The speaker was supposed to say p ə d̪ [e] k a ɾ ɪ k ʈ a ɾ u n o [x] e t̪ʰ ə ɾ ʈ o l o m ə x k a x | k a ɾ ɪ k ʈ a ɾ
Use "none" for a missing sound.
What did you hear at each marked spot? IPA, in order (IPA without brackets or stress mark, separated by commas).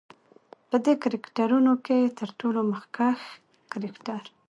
e, k